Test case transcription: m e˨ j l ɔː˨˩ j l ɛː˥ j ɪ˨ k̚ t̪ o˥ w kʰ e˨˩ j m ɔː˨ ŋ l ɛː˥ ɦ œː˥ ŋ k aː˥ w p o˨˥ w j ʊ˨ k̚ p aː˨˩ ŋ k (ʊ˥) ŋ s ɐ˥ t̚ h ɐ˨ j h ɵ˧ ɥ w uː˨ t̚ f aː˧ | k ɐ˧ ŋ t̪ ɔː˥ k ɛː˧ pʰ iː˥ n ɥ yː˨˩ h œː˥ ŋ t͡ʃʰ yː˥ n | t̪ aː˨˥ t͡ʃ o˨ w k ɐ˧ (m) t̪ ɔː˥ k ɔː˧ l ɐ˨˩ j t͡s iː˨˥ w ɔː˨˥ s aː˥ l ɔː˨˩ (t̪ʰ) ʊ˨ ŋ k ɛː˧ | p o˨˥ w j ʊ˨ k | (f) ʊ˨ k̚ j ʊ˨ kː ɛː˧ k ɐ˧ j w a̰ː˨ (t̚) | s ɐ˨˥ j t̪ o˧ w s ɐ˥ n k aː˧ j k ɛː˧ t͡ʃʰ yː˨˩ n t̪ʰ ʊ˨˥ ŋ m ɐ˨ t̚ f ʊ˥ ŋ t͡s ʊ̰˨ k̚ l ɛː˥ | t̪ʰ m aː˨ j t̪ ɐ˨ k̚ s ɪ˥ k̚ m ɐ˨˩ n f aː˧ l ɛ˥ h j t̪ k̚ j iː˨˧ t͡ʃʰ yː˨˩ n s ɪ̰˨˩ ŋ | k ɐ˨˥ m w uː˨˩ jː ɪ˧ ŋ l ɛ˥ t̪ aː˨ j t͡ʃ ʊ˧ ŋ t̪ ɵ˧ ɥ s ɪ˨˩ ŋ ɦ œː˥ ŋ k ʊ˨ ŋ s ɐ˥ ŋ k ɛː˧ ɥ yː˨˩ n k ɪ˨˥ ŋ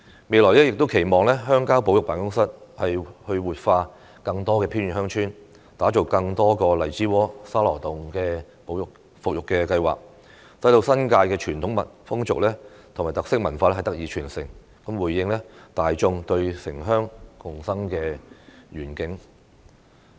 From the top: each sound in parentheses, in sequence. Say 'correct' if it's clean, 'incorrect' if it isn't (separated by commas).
correct, incorrect, incorrect, correct, incorrect